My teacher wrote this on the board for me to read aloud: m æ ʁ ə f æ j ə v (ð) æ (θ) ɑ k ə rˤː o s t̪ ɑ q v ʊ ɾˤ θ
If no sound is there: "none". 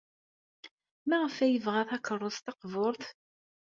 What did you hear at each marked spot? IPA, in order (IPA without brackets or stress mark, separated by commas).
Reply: ʁ, θ